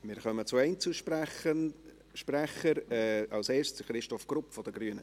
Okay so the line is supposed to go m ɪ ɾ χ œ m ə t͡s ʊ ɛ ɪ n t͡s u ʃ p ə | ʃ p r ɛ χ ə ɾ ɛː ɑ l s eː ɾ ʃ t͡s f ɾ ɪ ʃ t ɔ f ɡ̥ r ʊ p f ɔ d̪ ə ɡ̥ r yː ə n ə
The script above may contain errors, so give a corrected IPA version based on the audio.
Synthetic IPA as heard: m ɪ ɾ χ œ m ə t͡s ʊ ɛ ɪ n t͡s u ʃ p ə | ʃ p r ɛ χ ə ɾ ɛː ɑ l s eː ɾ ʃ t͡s χ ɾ ɪ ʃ t ɔ f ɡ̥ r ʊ p f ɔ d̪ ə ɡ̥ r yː ə n ə